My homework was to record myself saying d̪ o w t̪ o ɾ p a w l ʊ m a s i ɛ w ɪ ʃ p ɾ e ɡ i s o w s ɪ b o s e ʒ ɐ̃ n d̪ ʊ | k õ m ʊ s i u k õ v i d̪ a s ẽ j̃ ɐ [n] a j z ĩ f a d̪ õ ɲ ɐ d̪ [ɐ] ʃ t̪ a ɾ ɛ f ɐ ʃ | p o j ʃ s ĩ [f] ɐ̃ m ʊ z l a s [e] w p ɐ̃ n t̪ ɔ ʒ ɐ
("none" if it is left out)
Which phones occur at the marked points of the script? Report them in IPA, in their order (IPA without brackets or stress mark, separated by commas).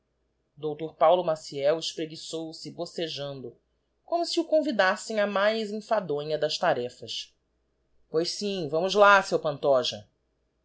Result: m, ɐ, v, e